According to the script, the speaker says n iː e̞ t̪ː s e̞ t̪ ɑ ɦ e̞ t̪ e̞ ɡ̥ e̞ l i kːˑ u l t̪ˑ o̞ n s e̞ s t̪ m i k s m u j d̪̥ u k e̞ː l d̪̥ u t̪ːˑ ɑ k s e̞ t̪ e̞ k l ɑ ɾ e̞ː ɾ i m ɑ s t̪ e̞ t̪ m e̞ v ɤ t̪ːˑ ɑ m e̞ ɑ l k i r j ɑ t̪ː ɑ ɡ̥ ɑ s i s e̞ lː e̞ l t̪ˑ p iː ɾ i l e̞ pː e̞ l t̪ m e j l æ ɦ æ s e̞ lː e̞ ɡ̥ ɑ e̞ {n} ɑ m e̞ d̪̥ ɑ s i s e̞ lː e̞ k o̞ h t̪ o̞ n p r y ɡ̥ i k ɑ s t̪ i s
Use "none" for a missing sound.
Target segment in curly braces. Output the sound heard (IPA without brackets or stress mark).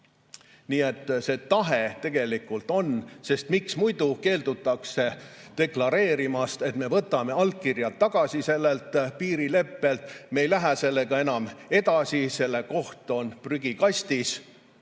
n